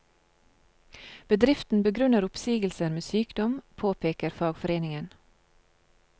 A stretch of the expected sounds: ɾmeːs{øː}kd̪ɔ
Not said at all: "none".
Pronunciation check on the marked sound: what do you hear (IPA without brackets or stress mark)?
yː